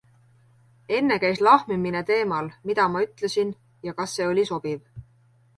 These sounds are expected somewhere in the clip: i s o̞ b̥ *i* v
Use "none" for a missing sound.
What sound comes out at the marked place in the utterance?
i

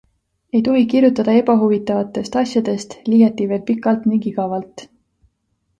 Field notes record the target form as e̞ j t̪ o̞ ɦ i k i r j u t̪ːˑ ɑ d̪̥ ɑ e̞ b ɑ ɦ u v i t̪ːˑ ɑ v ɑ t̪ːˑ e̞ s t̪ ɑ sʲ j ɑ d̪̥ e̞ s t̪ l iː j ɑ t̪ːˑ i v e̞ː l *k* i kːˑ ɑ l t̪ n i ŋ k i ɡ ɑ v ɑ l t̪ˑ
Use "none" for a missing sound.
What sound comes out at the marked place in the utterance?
p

